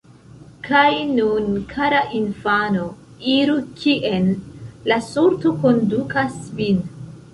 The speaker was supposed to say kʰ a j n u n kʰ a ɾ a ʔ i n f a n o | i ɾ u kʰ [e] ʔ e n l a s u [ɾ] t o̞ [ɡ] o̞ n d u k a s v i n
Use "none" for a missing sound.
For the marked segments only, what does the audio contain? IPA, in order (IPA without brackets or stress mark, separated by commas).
i, ɾ, k